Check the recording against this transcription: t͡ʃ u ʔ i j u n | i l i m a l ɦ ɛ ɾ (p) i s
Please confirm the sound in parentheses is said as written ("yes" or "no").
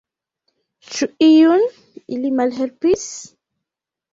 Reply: yes